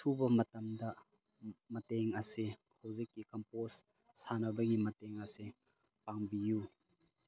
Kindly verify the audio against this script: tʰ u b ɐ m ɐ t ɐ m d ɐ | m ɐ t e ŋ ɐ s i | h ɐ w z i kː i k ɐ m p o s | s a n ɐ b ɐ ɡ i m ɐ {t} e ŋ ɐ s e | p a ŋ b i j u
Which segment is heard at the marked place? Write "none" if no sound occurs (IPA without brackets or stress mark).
t